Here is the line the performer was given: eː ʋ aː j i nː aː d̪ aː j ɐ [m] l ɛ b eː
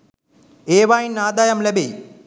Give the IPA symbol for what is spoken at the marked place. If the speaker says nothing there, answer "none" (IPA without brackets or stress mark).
m